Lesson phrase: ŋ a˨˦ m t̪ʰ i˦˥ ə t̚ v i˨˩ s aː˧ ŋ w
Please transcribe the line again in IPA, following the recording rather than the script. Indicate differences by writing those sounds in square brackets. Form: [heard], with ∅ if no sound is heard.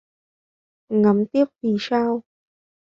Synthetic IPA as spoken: ŋ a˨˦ m [t̪] i˦˥ ə [p̚] v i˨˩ s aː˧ [∅] w